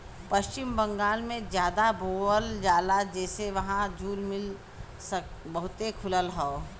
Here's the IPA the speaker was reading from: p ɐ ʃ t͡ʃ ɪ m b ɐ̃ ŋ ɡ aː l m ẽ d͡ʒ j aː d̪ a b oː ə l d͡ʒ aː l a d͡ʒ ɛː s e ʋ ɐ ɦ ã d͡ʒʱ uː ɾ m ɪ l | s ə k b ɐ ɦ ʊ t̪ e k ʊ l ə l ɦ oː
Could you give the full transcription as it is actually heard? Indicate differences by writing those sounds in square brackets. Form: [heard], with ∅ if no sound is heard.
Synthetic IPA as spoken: p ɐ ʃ t͡ʃ ɪ m b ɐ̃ ŋ ɡ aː l m ẽ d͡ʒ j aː d̪ a b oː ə l d͡ʒ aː l a d͡ʒ ɛː s e ʋ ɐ ɦ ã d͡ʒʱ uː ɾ m ɪ l | s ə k b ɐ ɦ ʊ t̪ e [kʰ] ʊ l ə l ɦ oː

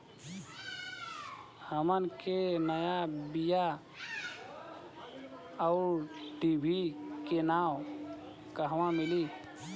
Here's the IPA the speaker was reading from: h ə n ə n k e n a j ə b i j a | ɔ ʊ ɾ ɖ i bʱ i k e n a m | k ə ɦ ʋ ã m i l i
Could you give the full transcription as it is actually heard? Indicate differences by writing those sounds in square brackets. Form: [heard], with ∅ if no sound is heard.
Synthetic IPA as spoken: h ə [m] ə n k e n [ə] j [a] b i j a | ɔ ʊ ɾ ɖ i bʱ i k e n a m | k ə ɦ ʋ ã m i l i

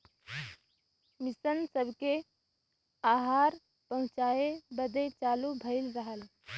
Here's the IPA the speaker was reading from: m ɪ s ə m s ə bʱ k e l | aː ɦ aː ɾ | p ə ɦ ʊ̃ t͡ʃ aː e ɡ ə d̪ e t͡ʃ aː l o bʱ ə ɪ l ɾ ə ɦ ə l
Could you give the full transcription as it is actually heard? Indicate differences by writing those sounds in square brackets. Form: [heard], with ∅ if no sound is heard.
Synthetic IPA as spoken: m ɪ s ə [n] s ə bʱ k e [∅] | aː ɦ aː ɾ | p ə ɦ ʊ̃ t͡ʃ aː e [b] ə d̪ e t͡ʃ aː l [u] bʱ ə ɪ l ɾ ə ɦ ə l

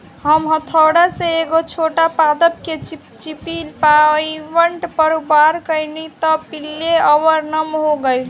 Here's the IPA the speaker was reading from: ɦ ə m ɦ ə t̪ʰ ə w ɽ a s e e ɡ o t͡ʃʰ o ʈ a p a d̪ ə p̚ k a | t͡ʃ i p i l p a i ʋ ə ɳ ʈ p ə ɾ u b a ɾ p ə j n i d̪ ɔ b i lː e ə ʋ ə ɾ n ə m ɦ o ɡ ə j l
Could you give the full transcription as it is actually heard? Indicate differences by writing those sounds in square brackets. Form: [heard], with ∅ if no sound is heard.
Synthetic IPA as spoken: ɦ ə m ɦ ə t̪ʰ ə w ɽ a s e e ɡ o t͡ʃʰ o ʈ a p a d̪ ə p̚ k [e] | t͡ʃ i p i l p a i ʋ ə ɳ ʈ p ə ɾ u b a ɾ [k] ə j n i [t̪] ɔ [p] i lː e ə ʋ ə ɾ n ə m ɦ o ɡ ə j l

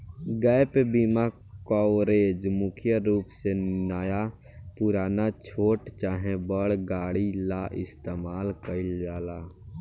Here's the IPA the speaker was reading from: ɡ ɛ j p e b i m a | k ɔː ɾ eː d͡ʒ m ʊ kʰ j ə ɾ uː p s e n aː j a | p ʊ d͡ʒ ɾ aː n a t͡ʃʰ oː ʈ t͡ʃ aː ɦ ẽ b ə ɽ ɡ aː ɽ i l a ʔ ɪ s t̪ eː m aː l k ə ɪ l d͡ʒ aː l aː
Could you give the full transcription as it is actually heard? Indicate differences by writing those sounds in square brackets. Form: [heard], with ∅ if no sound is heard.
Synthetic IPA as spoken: ɡ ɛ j p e b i m a | k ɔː ɾ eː d͡ʒ m ʊ kʰ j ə ɾ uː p s e n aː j a | p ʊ [∅] ɾ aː n a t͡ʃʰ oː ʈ t͡ʃ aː ɦ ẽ b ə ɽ ɡ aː ɽ i l a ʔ ɪ s t̪ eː m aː l k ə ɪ l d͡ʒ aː l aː

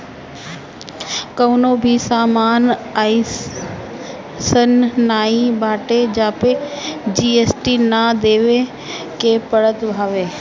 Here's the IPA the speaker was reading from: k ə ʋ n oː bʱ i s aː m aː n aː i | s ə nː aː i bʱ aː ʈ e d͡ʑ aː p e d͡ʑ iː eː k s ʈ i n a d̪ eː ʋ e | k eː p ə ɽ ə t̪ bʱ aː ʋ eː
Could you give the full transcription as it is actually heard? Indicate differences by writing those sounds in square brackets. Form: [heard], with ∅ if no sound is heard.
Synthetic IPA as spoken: k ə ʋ n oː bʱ i s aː m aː n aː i | s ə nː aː i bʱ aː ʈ e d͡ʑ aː p e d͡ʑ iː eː [∅] s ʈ i n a d̪ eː ʋ e | k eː p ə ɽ ə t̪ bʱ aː ʋ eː

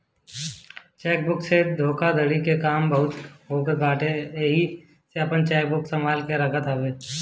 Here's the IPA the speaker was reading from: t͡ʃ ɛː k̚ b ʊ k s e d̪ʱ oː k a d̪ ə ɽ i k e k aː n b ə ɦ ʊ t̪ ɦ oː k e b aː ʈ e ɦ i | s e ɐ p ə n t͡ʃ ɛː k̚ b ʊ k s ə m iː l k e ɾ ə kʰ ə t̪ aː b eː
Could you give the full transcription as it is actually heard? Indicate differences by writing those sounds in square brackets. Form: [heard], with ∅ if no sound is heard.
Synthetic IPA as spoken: t͡ʃ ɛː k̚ b ʊ k s e d̪ʱ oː k a d̪ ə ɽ i k e k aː [m] b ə ɦ ʊ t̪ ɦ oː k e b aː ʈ e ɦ i | s e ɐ p ə n t͡ʃ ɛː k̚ b ʊ k s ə m [aː] l k e ɾ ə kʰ ə t̪ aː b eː

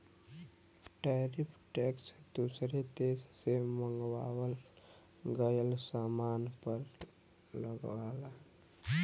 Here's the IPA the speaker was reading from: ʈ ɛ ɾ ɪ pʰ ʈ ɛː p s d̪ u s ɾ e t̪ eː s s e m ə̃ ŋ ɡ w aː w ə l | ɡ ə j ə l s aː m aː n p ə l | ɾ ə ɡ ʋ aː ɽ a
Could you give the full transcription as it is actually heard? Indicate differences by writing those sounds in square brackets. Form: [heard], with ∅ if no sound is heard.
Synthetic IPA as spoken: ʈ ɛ ɾ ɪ pʰ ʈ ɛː [k] s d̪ u s ɾ e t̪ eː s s e m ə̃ ŋ ɡ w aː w ə l | ɡ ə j ə l s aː m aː n p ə [ɾ] | [l] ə ɡ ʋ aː [l] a

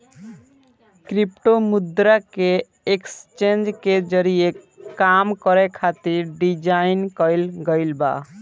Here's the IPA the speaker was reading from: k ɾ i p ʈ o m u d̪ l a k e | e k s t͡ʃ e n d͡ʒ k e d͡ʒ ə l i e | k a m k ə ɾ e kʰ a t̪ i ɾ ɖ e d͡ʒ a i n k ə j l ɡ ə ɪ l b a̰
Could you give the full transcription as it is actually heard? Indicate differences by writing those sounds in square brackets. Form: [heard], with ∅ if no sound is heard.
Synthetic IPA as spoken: k ɾ i p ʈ o m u d̪ [ɾ] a k e | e k s t͡ʃ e n d͡ʒ k e d͡ʒ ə [ɾ] i e | k a m k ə ɾ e kʰ a t̪ i ɾ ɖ [i] d͡ʒ a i n k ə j l ɡ ə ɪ l b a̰

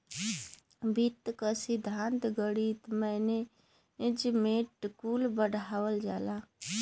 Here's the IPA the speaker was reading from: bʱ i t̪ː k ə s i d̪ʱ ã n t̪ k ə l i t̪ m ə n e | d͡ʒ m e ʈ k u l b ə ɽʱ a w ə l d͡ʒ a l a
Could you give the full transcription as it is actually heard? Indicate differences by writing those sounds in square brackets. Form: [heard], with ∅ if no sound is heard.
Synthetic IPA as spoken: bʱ i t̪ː k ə s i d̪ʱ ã n t̪ [ɡ] ə [ɽ] i t̪ m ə n e | d͡ʒ m e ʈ k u l b ə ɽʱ a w ə l d͡ʒ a l a

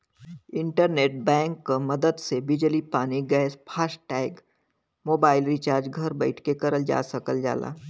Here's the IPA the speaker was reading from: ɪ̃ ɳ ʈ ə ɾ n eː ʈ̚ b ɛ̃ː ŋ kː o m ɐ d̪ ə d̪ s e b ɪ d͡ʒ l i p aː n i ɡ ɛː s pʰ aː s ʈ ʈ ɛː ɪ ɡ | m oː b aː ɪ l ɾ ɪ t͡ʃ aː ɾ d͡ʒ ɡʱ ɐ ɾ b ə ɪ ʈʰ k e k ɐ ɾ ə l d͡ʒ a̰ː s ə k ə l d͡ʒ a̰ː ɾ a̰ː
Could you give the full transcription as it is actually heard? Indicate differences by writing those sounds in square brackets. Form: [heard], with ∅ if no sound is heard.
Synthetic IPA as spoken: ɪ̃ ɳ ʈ ə ɾ n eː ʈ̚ b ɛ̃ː ŋ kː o m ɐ d̪ ə d̪ s e b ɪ d͡ʒ l i p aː n i ɡ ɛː s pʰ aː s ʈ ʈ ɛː ɪ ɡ | m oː b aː ɪ l ɾ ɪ t͡ʃ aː ɾ d͡ʒ ɡʱ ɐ ɾ b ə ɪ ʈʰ k e k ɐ ɾ ə l d͡ʒ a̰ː s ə k ə l d͡ʒ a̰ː [l] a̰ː

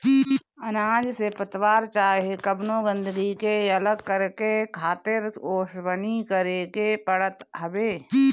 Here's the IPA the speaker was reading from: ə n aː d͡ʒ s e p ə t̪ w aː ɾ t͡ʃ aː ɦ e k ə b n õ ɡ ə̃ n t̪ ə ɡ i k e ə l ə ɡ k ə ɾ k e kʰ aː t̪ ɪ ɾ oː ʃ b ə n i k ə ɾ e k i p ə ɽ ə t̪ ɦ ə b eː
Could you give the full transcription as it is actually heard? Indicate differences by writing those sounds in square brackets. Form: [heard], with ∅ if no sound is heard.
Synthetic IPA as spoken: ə n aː d͡ʒ s e p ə t̪ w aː ɾ t͡ʃ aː ɦ e k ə b n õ ɡ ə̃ n [d̪] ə ɡ i k e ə l ə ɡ k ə ɾ k e kʰ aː t̪ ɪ ɾ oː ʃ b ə n i k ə ɾ e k [e] p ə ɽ ə t̪ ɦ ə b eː

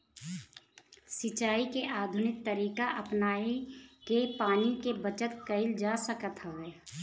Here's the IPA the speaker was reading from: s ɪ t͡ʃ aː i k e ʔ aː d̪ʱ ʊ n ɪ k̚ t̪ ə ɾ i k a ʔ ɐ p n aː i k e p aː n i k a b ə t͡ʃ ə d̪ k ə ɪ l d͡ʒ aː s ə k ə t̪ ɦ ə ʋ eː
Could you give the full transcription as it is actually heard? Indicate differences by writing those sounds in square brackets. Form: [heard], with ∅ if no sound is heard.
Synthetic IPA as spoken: s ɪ t͡ʃ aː i k e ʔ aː d̪ʱ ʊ n ɪ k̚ t̪ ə ɾ [iː] k a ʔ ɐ p n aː i k e p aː n i k [e] b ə t͡ʃ ə [t̪] k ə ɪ l d͡ʒ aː s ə k ə t̪ ɦ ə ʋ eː

